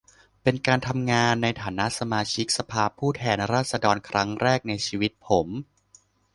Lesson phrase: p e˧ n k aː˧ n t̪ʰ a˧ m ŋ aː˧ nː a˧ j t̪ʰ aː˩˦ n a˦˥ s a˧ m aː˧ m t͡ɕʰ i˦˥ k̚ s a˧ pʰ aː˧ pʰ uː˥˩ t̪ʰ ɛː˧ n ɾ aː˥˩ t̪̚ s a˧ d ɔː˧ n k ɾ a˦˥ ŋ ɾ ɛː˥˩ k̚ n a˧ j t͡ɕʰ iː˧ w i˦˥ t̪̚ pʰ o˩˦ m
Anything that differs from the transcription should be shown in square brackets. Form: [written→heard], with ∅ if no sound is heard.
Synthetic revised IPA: p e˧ n k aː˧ n t̪ʰ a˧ m ŋ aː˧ nː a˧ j t̪ʰ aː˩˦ n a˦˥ s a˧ m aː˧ [m→∅] t͡ɕʰ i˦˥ k̚ s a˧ pʰ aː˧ pʰ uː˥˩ t̪ʰ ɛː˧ n ɾ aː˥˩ t̪̚ s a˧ d ɔː˧ n [k→kʰ] ɾ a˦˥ ŋ ɾ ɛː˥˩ k̚ n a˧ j t͡ɕʰ iː˧ w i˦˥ t̪̚ pʰ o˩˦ m